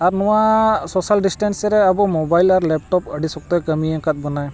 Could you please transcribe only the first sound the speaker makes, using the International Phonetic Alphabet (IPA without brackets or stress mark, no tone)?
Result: a